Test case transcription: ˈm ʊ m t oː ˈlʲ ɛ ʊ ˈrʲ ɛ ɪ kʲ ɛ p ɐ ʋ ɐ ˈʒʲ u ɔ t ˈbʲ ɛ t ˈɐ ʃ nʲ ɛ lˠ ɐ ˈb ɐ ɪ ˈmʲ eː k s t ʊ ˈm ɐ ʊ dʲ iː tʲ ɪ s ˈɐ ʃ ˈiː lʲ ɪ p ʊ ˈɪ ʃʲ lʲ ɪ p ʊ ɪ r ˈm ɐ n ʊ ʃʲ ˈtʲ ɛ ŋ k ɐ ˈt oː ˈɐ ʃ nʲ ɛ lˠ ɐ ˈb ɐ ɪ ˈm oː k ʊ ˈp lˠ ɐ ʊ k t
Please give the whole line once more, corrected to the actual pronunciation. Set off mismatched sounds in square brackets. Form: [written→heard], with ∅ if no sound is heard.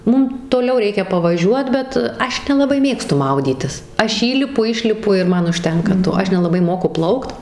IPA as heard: ˈm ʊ m t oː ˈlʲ ɛ ʊ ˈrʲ ɛ ɪ kʲ ɛ p ɐ ʋ ɐ ˈʒʲ u ɔ t ˈbʲ ɛ t ˈɐ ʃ nʲ ɛ lˠ ɐ ˈb ɐ ɪ ˈmʲ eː k s t ʊ ˈm ɐ ʊ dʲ iː tʲ ɪ s ˈɐ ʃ ˈiː lʲ ɪ p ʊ ˈɪ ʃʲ lʲ ɪ p ʊ ɪ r ˈm ɐ n ʊ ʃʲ ˈtʲ ɛ ŋ k ɐ ˈt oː ˈɐ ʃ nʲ ɛ lˠ ɐ ˈb ɐ ɪ ˈm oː k ʊ ˈp lˠ ɐ ʊ k t